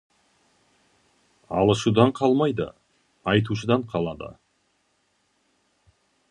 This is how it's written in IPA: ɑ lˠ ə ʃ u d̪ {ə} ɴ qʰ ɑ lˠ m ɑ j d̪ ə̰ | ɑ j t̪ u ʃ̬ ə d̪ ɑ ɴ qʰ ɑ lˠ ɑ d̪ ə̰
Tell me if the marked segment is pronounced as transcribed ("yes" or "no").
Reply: no